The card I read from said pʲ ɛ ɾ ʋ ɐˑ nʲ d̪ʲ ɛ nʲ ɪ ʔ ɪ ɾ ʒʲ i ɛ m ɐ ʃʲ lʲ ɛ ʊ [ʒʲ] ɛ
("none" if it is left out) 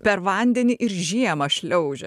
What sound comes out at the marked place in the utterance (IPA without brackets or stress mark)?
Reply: ʒʲ